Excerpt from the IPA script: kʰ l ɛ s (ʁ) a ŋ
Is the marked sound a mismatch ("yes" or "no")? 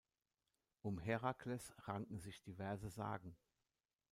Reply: no